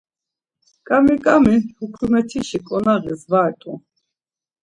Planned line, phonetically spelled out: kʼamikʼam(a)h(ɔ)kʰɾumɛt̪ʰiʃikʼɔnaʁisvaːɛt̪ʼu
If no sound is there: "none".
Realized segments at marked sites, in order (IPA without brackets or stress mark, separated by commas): i, u